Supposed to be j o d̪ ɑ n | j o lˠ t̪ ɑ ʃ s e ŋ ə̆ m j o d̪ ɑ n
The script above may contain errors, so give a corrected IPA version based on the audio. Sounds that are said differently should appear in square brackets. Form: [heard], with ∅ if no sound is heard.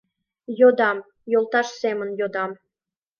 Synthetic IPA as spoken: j o d̪ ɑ [m] | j o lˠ t̪ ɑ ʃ s e [m] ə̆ [n] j o d̪ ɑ [m]